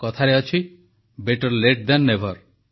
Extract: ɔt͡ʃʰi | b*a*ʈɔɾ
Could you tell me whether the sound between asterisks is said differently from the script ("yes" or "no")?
yes